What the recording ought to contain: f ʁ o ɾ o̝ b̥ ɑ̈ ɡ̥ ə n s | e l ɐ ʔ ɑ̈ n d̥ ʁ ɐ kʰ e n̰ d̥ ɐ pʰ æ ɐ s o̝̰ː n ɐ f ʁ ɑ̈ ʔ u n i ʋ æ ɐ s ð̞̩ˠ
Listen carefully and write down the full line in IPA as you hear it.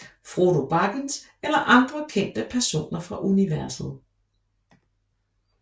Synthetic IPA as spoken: f ʁ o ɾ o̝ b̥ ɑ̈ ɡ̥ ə n s | e l ɐ ʔ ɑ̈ n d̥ ʁ ɐ kʰ e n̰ d̥ ə pʰ æ ɐ s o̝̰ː n ɐ f ʁ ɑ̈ ʔ u n i ʋ æ ɐ s ð̞̩ˠ